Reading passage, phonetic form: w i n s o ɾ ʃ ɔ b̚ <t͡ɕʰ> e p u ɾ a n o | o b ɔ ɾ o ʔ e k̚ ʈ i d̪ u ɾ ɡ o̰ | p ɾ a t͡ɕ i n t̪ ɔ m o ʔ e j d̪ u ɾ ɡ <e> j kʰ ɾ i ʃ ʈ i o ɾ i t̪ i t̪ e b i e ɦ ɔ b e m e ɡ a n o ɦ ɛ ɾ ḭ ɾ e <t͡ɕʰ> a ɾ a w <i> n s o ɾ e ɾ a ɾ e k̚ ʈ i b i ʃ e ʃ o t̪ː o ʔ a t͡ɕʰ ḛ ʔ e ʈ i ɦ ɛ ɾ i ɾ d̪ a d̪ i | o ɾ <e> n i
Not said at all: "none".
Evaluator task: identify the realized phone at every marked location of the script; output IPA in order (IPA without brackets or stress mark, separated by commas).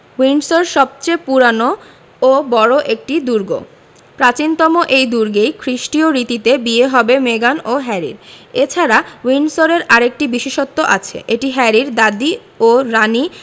t͡ɕ, e, t͡ɕʰ, i, a